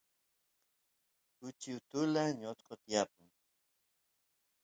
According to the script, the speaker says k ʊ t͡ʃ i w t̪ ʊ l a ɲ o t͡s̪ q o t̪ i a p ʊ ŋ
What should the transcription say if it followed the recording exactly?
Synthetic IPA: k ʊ t͡ʃ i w t̪ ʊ l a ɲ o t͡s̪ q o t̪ j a p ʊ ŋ